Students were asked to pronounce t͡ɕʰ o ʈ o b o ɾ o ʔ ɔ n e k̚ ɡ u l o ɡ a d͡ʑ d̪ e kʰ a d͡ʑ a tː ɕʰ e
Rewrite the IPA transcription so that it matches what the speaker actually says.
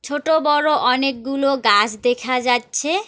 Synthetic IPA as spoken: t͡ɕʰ o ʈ o b ɔ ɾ o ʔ ɔ n e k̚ ɡ u l o ɡ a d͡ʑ d̪ e kʰ a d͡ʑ a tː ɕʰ e

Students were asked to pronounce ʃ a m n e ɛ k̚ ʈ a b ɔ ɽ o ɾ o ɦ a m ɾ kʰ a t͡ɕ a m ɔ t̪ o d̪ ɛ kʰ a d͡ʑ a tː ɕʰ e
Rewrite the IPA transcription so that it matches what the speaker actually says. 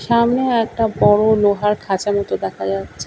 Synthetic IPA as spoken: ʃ a m n e ɛ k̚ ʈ a b ɔ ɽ o l o ɦ a ɾ kʰ a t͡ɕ a m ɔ t̪ o d̪ ɛ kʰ a d͡ʑ a tː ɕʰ e

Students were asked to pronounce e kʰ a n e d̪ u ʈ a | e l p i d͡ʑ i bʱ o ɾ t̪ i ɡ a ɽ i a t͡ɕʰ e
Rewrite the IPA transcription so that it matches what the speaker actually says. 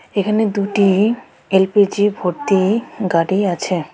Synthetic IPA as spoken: e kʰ a n e d̪ u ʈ i | e l p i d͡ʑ i bʱ o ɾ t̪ i ɡ a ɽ i a t͡ɕʰ e

